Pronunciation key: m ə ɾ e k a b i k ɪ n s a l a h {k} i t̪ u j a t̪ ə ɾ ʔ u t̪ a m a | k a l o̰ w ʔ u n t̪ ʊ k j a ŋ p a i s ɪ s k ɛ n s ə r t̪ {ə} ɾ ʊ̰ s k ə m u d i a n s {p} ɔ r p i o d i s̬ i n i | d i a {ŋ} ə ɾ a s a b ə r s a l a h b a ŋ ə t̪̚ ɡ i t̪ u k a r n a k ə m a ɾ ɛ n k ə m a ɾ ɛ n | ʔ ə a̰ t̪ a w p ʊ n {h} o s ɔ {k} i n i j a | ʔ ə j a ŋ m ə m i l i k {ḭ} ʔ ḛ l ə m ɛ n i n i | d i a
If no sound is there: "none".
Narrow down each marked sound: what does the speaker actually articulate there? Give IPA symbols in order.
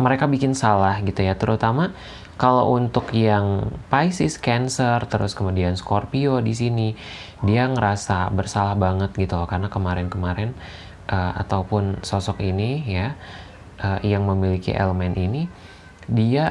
ɡ, ə, k, ŋ, s, k, ḭ

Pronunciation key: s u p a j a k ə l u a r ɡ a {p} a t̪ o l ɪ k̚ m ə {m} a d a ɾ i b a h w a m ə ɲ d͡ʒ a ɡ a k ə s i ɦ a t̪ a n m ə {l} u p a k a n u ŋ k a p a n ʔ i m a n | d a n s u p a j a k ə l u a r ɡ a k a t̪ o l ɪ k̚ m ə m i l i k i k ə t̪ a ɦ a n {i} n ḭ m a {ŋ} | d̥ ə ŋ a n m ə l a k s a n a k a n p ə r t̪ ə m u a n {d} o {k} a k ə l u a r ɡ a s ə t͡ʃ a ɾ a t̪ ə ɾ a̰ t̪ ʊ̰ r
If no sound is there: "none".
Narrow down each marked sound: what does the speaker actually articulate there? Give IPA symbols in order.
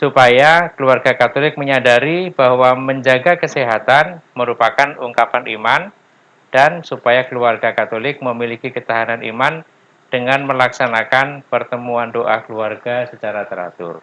k, ɲ, ɾ, a, n, d, ʔ

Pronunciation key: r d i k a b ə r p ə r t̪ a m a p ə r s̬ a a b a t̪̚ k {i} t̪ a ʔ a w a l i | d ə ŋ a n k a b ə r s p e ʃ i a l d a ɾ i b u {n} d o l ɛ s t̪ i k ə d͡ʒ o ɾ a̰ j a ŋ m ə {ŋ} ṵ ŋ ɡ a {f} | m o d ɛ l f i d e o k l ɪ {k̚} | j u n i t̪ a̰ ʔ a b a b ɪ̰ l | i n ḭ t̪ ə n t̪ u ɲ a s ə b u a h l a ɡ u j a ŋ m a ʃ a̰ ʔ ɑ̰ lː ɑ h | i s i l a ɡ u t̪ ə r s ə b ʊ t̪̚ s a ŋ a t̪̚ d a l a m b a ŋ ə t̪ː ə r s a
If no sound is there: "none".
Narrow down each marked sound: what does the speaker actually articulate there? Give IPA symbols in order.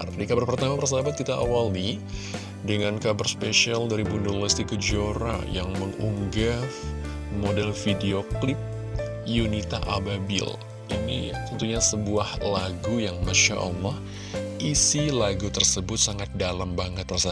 i, n, ŋ, f, p̚

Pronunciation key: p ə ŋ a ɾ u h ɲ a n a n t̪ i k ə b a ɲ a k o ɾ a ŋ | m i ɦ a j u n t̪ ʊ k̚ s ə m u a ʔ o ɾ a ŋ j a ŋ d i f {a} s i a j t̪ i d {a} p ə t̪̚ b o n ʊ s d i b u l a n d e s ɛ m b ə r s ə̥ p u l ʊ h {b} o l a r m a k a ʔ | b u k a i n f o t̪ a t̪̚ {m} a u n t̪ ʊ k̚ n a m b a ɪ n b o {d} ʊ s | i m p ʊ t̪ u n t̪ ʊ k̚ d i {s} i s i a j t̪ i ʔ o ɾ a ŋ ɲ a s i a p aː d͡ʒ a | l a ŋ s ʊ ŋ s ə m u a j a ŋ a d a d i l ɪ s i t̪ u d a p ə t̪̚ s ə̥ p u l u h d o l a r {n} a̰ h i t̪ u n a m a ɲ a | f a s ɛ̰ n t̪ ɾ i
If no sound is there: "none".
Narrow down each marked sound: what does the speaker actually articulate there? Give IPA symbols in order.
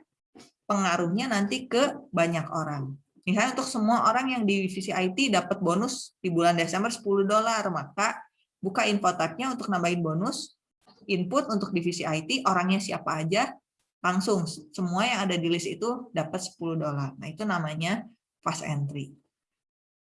i, a, d, ɲ, n, f, n

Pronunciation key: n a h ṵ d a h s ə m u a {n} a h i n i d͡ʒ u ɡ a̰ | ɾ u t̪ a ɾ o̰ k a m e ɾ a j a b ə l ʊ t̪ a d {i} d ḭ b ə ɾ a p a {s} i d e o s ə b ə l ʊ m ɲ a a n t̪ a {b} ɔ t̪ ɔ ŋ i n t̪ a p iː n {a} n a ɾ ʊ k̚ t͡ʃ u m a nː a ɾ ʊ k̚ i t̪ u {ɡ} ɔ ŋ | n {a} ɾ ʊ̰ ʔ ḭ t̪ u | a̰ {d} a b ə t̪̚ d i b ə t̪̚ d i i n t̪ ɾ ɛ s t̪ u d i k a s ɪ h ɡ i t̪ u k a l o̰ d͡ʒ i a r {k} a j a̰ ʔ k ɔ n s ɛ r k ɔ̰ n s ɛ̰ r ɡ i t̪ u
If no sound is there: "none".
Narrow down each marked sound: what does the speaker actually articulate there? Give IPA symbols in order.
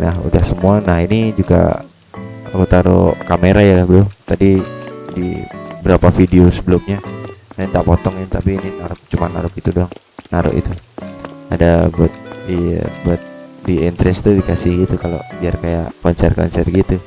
n, i, f, p, i, d, a, d, k

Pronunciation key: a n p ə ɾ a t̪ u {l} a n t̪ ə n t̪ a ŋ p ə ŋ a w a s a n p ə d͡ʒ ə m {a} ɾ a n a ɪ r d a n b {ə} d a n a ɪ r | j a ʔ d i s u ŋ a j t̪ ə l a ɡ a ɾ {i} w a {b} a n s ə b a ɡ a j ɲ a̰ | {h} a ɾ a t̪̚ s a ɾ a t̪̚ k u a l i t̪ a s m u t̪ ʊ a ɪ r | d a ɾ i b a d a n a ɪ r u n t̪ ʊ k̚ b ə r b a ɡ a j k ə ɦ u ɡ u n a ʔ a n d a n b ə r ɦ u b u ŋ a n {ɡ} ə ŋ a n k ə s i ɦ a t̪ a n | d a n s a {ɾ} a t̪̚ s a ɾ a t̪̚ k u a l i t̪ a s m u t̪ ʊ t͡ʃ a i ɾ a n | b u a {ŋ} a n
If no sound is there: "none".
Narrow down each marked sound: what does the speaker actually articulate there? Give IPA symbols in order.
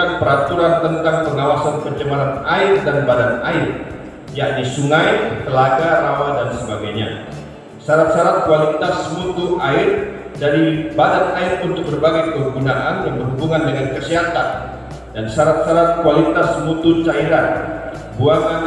ɾ, a, a, a, d, s, d, ɾ, ŋ

